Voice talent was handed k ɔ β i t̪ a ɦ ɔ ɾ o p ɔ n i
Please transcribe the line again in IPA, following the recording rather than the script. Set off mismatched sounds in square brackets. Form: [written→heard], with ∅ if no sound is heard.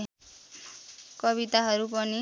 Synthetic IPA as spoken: k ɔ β i t̪ a ɦ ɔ ɾ [o→u] p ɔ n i